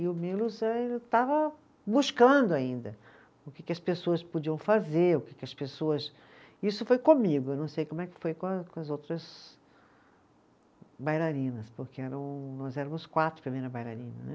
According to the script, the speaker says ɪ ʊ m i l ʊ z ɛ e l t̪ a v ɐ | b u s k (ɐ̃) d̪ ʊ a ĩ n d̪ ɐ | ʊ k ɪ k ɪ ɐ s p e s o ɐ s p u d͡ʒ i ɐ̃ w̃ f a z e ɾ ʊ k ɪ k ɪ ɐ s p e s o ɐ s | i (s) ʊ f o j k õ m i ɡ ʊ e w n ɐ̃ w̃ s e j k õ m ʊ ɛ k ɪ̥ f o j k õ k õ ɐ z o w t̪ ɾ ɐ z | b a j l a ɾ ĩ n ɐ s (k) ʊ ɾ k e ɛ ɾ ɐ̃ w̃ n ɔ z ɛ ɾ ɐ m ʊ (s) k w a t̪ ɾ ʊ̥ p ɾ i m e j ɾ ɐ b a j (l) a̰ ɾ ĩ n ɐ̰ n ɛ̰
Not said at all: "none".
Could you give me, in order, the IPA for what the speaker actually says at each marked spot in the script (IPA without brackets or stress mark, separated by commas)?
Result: ɐ̃, s, p, s, l